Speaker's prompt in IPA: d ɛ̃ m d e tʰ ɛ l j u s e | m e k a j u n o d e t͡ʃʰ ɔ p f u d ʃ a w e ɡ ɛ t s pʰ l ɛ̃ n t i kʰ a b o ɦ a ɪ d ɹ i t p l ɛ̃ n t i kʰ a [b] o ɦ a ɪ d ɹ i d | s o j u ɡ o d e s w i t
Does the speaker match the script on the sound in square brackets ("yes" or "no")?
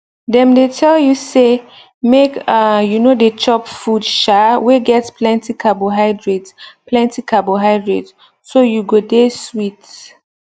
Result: yes